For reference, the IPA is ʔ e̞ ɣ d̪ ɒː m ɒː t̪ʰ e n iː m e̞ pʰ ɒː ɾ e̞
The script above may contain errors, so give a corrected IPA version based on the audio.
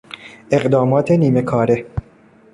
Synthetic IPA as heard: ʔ e̞ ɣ d̪ ɒː m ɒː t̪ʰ e n iː m e̞ kʰ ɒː ɾ e̞

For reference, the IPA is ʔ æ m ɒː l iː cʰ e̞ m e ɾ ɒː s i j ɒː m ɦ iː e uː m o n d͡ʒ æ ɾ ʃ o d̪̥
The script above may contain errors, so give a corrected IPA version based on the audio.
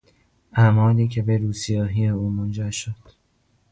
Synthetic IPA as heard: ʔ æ m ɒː l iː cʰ e̞ b e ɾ uː s i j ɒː ɦ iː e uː m o n d͡ʒ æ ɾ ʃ o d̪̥

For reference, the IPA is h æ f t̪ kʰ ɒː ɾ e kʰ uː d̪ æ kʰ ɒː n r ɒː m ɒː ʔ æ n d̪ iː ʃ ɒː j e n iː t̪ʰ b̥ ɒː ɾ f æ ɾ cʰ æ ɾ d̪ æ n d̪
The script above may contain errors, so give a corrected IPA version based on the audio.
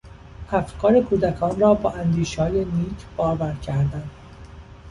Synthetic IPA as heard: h æ f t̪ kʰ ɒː ɾ e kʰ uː d̪ æ kʰ ɒː n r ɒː b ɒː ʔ æ n d̪ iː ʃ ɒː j e n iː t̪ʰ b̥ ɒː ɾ v æ ɾ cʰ æ ɾ d̪ æ n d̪

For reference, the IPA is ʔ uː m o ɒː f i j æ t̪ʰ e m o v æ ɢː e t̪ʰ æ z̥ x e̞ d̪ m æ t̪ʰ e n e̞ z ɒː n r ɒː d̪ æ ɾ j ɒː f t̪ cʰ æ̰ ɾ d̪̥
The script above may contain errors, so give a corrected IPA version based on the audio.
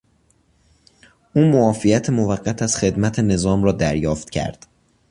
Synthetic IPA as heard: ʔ uː m o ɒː f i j æ t̪ʰ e m o v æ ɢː æ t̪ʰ æ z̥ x e̞ d̪ m æ t̪ʰ e n e̞ z ɒː m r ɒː d̪ æ ɾ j ɒː f t̪ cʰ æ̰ ɾ d̪̥

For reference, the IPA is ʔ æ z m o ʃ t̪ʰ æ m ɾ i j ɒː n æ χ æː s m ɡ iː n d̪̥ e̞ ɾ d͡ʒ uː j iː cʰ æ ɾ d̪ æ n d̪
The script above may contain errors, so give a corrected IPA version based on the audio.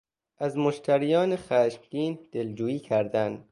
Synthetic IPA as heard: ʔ æ z m o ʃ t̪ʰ æ ɾ i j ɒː n e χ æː ʃ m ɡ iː n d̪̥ e̞ l d͡ʒ uː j iː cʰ æ ɾ d̪ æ n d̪

